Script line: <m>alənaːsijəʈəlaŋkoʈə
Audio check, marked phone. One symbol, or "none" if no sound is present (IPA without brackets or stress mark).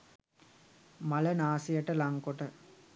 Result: m